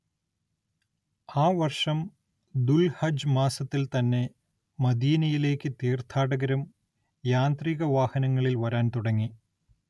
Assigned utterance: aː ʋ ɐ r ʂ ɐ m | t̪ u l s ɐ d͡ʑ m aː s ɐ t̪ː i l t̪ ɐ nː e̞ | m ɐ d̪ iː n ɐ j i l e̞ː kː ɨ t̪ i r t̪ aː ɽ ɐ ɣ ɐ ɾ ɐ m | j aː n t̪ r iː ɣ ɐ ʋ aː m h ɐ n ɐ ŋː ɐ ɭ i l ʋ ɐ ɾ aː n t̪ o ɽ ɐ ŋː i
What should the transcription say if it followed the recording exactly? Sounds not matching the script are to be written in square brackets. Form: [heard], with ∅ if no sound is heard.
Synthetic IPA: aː ʋ ɐ r ʂ ɐ m | [d̪] u l [h] ɐ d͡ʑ m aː s ɐ t̪ː i l t̪ ɐ nː e̞ | m ɐ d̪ iː n ɐ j i l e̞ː kː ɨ t̪ [iː] r [t̪ʰ] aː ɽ ɐ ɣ ɐ ɾ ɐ m | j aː n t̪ r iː ɣ ɐ ʋ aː [∅] h ɐ n ɐ ŋː ɐ ɭ i l ʋ ɐ ɾ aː n t̪ [u] ɽ ɐ ŋː i